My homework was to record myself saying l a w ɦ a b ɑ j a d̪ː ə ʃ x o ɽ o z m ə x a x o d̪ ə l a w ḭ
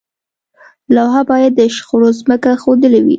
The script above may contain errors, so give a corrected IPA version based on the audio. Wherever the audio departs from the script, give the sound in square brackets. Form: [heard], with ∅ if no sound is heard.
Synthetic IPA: l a w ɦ a b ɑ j a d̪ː ə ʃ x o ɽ o z m ə [k] a x o d̪ ə l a w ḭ